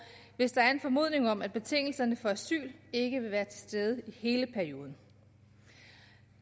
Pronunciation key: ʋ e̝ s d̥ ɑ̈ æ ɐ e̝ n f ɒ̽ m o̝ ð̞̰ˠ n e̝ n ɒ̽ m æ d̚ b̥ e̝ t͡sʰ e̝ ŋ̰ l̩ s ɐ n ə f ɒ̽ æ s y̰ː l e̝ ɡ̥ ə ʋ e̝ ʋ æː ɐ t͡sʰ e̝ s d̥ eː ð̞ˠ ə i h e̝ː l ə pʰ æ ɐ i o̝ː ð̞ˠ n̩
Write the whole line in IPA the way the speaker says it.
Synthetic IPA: ʋ e̝ s d̥ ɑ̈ æ ɐ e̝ n f ɒ̽ m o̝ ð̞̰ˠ n e̝ ŋ ɒ̽ m æ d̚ b̥ e̝ t͡sʰ e̝ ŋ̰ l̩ s ɐ n ə f ɒ̽ æ s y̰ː l e̝ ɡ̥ ə ʋ e̝ ʋ æː ɐ t͡sʰ e̝ s d̥ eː ð̞ˠ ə i h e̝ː l ə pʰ æ ɐ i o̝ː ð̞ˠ n̩